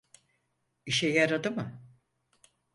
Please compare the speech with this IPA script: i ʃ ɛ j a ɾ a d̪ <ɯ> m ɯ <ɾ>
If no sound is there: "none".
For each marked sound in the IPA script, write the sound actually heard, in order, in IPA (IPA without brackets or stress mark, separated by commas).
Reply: ɯ, none